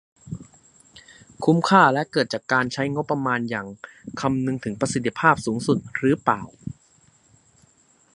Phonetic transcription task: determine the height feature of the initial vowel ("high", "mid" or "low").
high